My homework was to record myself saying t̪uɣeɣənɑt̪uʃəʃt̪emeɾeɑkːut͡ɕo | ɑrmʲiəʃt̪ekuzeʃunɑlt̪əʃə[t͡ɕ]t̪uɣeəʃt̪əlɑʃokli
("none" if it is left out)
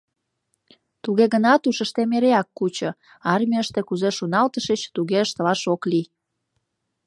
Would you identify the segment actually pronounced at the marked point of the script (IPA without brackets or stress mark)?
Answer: t͡ɕ